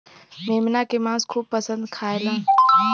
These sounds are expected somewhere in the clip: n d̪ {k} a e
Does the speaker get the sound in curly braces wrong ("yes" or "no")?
yes